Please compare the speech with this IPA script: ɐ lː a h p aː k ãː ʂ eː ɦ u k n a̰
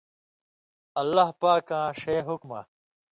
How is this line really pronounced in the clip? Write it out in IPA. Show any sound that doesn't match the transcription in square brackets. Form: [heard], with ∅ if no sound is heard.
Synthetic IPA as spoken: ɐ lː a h p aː k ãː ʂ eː ɦ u k [m] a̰